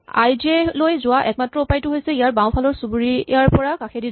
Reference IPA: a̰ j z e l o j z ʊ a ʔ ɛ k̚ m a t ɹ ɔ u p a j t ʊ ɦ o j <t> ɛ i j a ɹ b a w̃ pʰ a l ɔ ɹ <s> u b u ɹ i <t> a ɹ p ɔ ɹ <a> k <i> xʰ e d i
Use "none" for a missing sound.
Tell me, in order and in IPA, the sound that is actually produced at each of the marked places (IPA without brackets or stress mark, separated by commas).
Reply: s, s, none, a, a